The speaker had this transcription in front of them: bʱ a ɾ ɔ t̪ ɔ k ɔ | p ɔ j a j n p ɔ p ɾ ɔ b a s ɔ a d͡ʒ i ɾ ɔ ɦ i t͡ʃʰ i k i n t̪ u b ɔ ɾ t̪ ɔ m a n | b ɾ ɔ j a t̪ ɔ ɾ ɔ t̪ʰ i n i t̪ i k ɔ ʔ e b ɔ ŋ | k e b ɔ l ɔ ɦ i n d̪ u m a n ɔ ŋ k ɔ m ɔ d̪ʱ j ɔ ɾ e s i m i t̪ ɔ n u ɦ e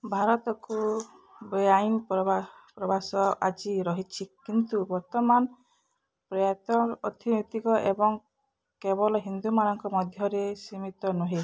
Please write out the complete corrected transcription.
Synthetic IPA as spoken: bʱ a ɾ ɔ t̪ ɔ k u | b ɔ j a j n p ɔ p ɾ ɔ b a s ɔ a d͡ʒ i ɾ ɔ ɦ i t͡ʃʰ i k i n t̪ u b ɔ ɾ t̪ ɔ m a n | p ɾ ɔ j a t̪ ɔ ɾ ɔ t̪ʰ i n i t̪ i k ɔ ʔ e b ɔ ŋ | k e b ɔ l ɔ ɦ i n d̪ u m a n ɔ ŋ k ɔ m ɔ d̪ʱ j ɔ ɾ e s i m i t̪ ɔ n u ɦ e